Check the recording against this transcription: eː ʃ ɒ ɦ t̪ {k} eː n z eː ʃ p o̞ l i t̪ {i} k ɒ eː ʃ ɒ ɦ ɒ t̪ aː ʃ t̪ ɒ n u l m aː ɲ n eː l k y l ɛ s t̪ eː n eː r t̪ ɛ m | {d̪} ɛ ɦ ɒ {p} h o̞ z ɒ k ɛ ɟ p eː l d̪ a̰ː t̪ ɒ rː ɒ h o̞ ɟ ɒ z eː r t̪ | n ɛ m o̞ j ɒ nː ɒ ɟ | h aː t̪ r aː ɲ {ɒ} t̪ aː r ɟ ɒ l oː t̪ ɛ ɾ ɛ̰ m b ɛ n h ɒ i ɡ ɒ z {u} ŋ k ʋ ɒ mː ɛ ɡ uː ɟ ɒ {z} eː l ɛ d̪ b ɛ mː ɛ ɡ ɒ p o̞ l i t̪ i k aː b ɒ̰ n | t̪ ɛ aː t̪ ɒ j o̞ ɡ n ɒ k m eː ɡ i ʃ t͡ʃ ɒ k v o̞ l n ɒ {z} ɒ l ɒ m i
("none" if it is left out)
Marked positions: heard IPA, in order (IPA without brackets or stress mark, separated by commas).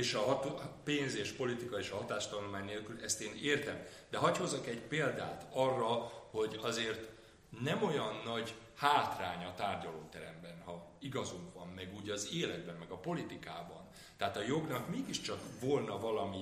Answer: p, i, d̪, c, ɒ, u, z, v